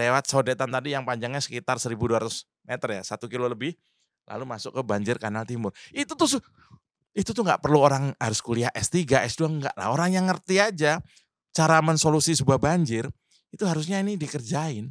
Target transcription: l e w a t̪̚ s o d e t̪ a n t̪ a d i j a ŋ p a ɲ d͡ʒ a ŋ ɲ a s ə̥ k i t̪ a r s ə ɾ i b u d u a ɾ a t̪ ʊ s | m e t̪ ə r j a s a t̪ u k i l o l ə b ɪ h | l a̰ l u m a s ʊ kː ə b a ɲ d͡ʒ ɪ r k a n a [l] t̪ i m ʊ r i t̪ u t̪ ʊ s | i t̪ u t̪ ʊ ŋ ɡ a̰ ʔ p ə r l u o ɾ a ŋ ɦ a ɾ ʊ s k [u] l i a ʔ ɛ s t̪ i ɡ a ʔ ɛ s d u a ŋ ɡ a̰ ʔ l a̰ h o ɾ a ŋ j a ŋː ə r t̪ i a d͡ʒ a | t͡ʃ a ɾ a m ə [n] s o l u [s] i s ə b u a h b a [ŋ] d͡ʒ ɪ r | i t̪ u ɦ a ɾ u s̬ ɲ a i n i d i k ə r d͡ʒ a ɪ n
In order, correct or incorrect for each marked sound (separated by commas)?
correct, correct, correct, correct, incorrect